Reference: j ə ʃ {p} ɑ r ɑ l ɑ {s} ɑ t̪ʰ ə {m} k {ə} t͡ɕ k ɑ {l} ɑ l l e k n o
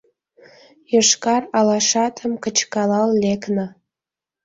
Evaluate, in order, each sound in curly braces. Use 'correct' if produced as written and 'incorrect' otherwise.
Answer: incorrect: k, incorrect: ʃ, correct, correct, correct

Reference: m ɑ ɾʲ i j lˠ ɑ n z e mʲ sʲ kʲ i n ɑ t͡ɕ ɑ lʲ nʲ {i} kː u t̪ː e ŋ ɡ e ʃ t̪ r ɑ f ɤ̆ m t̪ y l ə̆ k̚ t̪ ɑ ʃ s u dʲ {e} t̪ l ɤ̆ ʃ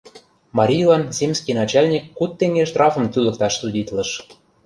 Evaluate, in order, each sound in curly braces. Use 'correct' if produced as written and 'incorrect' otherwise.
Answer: correct, incorrect: i

